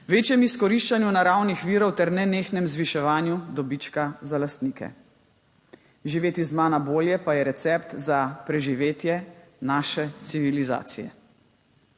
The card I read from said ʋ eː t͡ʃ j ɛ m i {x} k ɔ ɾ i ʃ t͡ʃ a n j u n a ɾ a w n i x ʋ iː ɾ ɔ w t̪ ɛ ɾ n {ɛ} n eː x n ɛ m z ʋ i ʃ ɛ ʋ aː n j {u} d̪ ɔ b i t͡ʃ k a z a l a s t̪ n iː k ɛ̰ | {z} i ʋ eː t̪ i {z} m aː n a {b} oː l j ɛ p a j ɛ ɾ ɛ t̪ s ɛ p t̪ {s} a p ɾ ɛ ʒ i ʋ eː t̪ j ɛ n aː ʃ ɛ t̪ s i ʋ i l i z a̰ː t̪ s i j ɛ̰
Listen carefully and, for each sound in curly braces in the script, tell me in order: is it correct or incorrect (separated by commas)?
incorrect, correct, correct, incorrect, correct, correct, incorrect